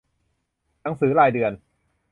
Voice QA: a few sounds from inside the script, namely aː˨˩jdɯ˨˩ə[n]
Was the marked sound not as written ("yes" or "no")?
no